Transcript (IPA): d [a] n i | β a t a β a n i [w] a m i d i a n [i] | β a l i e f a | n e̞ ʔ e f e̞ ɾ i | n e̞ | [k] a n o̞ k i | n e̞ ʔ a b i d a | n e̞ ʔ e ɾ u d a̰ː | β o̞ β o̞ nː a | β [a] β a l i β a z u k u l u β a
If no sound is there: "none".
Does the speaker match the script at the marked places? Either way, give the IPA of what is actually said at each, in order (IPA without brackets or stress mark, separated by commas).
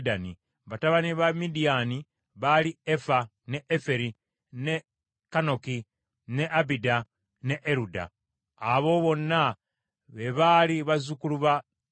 a, β, i, k, e